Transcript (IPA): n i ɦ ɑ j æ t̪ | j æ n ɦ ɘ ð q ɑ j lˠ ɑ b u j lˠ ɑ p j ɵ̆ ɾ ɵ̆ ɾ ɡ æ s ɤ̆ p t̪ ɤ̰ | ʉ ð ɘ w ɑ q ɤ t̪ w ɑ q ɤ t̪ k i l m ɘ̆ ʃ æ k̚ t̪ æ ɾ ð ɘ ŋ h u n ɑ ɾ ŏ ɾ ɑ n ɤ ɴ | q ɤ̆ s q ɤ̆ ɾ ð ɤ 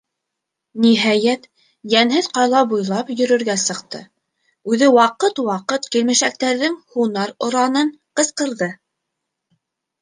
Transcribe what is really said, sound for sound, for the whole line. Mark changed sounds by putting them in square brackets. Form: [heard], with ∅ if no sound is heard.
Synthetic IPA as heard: n i ɦ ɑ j æ t̪ | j æ n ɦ ɘ ð q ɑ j lˠ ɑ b u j lˠ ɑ p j ɵ̆ ɾ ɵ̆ ɾ ɡ æ s ɤ̆ [q] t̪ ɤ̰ | ʉ ð ɘ w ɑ q ɤ t̪ w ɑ q ɤ t̪ k i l m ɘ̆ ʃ æ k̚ t̪ æ ɾ ð ɘ ŋ h u n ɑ ɾ ŏ ɾ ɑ n ɤ ɴ | q ɤ̆ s q ɤ̆ ɾ ð ɤ